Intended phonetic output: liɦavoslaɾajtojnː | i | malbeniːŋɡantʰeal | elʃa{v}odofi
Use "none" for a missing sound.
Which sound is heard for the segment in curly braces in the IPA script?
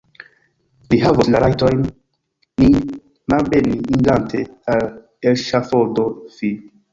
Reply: f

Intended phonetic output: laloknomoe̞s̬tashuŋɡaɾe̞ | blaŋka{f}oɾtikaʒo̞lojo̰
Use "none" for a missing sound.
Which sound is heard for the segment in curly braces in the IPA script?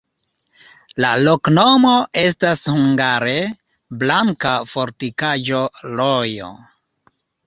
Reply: f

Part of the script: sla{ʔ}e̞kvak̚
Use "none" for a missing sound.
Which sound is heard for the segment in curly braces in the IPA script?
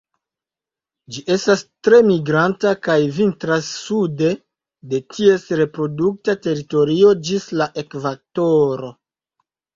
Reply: ʔ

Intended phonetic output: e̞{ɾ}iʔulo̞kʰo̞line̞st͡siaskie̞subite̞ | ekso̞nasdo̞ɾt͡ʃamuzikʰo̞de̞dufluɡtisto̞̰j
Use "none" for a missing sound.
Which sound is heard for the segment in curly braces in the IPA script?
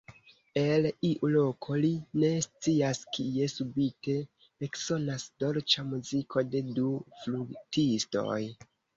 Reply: l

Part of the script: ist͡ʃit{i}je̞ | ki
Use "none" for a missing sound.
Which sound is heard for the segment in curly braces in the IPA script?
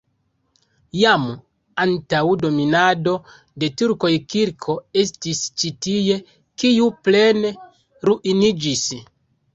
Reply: i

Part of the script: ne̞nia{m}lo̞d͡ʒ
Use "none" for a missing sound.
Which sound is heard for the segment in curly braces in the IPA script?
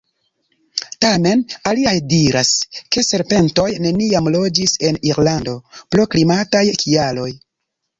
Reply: m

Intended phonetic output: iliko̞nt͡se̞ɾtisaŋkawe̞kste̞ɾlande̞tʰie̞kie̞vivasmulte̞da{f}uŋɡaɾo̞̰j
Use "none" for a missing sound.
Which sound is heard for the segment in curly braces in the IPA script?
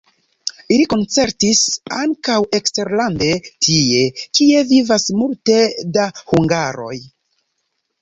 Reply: h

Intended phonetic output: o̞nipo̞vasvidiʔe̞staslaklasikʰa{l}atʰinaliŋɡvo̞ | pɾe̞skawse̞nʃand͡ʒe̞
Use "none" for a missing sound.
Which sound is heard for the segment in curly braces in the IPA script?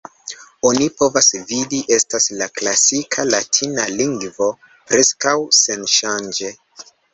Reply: l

